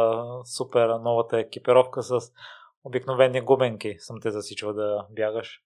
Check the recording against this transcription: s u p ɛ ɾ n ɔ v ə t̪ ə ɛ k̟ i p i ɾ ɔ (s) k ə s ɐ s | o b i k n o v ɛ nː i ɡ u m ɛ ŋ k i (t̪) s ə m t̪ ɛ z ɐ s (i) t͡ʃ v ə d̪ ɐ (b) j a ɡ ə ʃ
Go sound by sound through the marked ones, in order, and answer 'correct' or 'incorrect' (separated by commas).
incorrect, incorrect, correct, correct